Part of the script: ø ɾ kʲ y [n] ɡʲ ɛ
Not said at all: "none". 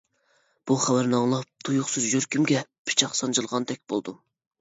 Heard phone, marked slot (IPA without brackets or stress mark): m